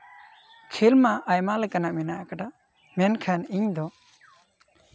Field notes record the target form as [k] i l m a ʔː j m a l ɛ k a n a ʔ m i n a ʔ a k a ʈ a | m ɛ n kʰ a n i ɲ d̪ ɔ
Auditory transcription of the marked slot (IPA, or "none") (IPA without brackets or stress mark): kʰ